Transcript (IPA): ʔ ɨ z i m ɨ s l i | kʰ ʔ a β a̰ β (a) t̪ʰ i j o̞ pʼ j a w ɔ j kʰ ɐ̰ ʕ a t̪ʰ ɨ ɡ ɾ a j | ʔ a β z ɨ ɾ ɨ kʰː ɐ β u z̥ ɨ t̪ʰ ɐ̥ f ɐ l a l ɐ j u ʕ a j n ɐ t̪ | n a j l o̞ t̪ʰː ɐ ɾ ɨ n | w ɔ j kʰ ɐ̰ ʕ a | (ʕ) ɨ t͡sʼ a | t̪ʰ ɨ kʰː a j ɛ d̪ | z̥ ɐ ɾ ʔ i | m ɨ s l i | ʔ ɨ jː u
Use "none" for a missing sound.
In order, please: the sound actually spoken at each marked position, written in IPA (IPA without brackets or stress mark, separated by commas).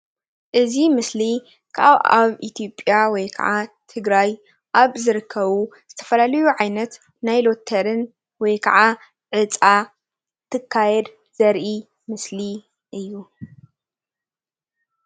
i, ʕ